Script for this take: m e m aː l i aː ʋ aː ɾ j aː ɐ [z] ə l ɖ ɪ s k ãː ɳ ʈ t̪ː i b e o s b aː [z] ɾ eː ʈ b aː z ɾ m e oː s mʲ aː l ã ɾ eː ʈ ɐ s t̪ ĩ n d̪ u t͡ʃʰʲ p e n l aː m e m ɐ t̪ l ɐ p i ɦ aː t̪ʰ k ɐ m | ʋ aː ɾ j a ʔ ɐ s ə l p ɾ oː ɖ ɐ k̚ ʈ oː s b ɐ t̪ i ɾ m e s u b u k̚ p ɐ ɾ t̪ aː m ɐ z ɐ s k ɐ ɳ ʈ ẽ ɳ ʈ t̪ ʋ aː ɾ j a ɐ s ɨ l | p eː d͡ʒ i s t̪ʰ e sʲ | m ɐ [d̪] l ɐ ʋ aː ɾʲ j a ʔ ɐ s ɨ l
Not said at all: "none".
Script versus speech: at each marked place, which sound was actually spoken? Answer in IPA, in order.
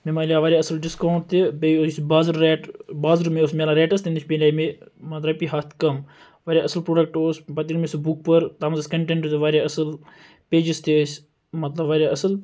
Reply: s, z, t̪

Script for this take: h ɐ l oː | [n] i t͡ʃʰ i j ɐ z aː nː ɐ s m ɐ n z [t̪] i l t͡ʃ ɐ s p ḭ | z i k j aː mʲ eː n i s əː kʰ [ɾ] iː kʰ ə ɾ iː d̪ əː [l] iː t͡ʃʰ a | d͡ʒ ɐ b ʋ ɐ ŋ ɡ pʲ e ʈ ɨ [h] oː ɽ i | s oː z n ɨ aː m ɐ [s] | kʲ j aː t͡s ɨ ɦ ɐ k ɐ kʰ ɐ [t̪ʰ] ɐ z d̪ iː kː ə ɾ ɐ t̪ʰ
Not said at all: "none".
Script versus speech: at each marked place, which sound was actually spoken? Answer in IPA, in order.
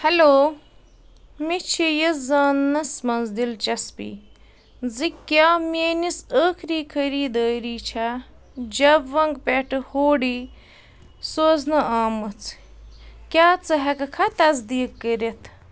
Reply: m, d̪, ɾ, ɾ, h, t͡s, t̪

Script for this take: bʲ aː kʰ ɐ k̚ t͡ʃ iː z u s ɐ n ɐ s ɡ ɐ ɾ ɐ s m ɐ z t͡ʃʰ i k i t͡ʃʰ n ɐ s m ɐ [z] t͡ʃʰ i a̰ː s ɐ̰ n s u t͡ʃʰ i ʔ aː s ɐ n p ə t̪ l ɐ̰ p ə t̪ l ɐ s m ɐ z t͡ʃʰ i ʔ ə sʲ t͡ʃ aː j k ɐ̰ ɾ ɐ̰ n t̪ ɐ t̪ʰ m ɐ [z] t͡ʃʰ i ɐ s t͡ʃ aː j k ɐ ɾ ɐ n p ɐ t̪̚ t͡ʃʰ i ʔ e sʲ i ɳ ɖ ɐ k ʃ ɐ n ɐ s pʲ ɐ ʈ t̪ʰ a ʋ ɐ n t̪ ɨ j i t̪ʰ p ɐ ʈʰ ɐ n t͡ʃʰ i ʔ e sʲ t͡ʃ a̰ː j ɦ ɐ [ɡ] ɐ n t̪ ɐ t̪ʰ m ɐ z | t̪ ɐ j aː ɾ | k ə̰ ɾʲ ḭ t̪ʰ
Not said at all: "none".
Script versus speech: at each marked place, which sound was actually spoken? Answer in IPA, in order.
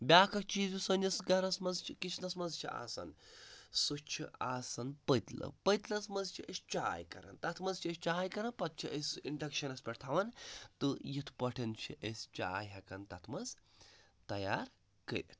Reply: z, z, k

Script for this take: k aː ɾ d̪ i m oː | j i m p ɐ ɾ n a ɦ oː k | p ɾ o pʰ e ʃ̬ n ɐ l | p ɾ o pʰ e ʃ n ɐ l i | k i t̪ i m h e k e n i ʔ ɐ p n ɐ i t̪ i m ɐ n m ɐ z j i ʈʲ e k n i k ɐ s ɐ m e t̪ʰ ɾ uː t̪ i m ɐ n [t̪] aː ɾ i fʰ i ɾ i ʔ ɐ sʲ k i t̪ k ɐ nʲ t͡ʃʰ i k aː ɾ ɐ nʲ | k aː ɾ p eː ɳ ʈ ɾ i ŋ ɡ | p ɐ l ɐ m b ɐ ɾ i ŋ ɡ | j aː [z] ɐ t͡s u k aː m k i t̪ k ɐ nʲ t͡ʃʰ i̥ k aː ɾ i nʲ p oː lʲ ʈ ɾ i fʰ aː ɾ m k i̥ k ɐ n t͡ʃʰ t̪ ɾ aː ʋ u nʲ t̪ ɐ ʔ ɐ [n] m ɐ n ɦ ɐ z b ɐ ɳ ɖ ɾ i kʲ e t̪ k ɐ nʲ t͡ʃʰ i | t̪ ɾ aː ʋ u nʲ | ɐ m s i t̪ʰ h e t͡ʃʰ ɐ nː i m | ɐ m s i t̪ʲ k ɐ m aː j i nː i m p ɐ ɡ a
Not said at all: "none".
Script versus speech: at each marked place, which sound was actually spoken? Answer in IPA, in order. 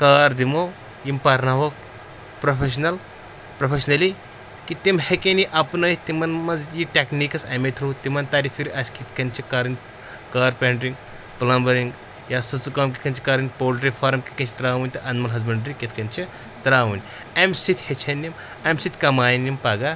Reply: t̪, s, n

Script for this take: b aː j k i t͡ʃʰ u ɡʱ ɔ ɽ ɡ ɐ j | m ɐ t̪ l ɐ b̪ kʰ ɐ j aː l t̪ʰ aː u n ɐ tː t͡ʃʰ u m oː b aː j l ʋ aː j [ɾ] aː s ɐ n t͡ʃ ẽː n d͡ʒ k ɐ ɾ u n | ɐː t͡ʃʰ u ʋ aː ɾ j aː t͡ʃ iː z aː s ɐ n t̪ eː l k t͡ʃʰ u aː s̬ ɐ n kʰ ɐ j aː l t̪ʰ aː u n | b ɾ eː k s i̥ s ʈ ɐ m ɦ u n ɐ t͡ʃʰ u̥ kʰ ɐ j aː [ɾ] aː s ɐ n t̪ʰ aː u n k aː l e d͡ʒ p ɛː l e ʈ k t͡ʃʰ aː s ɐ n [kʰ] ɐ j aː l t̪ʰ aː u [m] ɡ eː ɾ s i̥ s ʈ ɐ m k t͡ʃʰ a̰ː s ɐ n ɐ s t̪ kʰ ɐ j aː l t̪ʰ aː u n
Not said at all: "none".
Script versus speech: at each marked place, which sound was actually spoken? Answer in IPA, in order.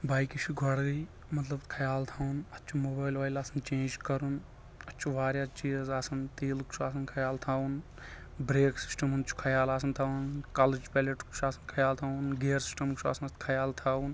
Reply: l, l, kʰ, n

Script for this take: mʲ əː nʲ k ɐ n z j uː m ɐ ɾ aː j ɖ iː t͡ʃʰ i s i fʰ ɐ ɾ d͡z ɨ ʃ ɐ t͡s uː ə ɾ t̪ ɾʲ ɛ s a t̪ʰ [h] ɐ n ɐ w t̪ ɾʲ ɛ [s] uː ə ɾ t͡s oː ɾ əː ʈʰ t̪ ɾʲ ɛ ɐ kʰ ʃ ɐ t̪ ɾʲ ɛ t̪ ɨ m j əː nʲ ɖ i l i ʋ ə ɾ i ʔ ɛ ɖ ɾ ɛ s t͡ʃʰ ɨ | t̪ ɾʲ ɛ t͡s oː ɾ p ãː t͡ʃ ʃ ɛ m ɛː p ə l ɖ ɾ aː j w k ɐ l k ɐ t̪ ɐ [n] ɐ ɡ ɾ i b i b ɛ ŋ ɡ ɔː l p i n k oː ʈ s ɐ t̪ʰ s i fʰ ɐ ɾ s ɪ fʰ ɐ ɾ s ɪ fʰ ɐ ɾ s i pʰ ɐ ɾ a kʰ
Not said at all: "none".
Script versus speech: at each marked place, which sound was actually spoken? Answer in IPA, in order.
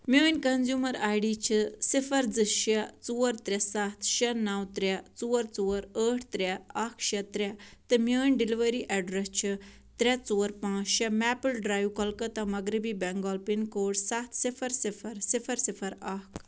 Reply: ʃ, t͡s, m

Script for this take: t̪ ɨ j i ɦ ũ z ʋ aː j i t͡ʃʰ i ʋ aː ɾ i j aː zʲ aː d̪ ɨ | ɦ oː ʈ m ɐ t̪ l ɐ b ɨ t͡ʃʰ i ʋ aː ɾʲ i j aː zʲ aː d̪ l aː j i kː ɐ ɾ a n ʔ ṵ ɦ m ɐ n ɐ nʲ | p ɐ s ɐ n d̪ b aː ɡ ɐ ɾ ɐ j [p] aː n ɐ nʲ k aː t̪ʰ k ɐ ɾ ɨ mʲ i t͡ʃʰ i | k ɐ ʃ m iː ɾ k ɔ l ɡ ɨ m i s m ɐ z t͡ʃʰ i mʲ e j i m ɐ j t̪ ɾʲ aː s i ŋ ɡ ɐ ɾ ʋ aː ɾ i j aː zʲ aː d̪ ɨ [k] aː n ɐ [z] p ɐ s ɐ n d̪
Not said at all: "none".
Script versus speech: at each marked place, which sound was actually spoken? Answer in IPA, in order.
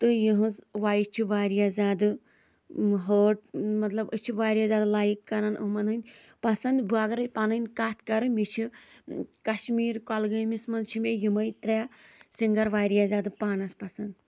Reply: p, p, s

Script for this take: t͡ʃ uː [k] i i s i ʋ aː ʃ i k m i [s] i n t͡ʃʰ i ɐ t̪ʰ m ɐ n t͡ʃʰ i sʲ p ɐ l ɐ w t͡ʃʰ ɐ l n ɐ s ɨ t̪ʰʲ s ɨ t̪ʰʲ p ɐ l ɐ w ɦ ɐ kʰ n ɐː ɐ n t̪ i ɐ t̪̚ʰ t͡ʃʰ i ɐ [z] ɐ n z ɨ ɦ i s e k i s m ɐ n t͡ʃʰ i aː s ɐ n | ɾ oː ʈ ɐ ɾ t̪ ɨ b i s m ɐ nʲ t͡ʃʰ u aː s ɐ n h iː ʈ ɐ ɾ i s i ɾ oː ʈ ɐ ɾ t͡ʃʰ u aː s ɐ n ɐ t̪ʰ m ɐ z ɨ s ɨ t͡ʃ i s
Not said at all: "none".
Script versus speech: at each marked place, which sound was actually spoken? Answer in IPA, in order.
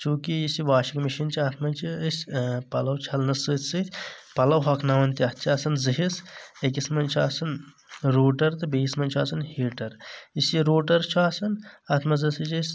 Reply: k, ʃ, s

